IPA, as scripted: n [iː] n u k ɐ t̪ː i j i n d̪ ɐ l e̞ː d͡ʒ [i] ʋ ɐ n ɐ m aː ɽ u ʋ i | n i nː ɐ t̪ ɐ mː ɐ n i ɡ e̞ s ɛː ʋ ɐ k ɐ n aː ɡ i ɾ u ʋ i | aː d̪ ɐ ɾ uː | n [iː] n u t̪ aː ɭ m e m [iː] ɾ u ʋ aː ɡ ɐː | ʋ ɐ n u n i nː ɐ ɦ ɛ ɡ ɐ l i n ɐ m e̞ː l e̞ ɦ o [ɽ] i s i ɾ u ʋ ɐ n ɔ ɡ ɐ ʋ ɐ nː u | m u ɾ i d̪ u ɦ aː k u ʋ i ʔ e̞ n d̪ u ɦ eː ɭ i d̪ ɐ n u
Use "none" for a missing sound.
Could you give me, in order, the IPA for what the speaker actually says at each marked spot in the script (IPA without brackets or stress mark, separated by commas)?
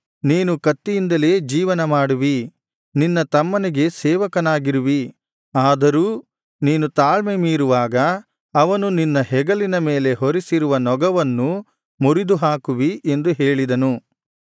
iː, iː, iː, iː, ɾ